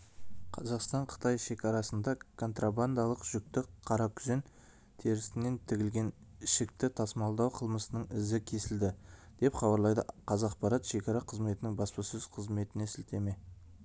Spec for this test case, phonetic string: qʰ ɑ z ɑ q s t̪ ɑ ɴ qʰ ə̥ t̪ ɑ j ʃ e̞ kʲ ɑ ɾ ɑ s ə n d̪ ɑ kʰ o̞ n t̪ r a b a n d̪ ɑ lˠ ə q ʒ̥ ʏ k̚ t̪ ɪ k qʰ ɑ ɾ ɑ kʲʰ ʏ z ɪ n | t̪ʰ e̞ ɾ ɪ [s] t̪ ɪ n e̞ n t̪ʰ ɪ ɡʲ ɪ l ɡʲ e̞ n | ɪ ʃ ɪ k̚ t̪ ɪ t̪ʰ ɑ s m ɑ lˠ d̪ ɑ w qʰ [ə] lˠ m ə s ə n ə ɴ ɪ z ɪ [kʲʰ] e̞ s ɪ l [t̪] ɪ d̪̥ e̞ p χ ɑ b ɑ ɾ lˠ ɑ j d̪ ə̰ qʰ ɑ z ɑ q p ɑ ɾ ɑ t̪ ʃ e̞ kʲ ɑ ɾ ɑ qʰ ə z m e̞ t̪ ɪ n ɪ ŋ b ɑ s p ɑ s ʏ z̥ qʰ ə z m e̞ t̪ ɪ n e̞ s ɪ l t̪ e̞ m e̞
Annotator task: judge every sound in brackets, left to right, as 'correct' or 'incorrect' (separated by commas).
correct, correct, correct, incorrect